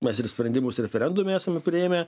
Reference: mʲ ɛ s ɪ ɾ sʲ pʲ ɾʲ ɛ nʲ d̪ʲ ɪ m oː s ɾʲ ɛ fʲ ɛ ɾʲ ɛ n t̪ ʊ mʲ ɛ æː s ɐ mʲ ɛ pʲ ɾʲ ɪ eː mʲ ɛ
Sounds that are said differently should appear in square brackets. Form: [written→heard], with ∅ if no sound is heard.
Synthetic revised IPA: mʲ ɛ s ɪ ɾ sʲ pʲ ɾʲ ɛ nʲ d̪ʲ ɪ m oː s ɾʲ ɛ fʲ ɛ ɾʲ ɛ n [t̪→d̪] ʊ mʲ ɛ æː s ɐ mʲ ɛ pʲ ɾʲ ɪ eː mʲ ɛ

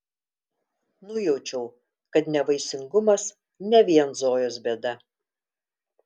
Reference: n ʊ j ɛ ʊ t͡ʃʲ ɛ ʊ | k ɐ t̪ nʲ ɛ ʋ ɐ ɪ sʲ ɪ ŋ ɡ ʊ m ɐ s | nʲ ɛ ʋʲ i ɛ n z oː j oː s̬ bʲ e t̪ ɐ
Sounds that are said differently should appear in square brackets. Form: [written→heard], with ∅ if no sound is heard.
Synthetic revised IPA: n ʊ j ɛ ʊ t͡ʃʲ ɛ ʊ | k ɐ t̪ nʲ ɛ ʋ ɐ ɪ sʲ ɪ ŋ ɡ ʊ m ɐ s | nʲ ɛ ʋʲ i ɛ n z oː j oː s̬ bʲ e [t̪→d̪] ɐ

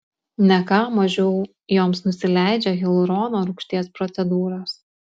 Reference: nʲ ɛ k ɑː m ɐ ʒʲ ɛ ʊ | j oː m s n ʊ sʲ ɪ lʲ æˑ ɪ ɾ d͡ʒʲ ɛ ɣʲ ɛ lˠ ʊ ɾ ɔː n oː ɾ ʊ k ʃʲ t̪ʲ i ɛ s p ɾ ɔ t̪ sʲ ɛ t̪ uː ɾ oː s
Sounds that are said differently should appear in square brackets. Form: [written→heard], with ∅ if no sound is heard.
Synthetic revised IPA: nʲ ɛ k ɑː m ɐ ʒʲ ɛ ʊ | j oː m s n ʊ sʲ ɪ lʲ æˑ ɪ [ɾ→∅] d͡ʒʲ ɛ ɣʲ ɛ lˠ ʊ ɾ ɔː n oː ɾ ʊ k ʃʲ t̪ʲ i ɛ s p ɾ ɔ t̪ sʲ ɛ [t̪→d̪] uː ɾ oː s

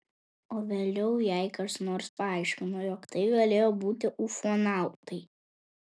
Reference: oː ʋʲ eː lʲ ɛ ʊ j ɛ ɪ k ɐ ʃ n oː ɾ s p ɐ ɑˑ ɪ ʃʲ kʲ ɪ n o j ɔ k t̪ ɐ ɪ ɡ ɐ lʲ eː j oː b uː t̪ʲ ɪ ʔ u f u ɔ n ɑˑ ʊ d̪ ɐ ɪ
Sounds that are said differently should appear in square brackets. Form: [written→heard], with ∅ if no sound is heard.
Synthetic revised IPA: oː ʋʲ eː lʲ ɛ ʊ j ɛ ɪ k ɐ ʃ n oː ɾ s p ɐ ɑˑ ɪ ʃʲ kʲ ɪ n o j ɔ k t̪ ɐ ɪ ɡ ɐ lʲ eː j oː b uː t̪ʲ ɪ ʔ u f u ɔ n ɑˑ ʊ [d̪→t̪] ɐ ɪ

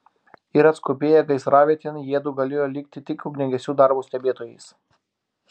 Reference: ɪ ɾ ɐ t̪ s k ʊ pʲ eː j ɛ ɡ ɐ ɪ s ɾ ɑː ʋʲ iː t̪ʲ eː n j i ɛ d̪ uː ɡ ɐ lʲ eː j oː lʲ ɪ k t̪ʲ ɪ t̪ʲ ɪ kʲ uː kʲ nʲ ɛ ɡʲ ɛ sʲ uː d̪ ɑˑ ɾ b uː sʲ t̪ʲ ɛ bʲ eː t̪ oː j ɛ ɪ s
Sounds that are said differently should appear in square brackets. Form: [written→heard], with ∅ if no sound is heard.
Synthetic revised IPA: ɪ ɾ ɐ t̪ s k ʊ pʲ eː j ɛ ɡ ɐ ɪ s ɾ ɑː ʋʲ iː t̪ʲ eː n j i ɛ d̪ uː ɡ ɐ lʲ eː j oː lʲ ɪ k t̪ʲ ɪ t̪ʲ ɪ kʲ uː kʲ nʲ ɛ ɡʲ ɛ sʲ uː d̪ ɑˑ ɾ b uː sʲ t̪ʲ ɛ bʲ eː t̪ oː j ɛ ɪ s

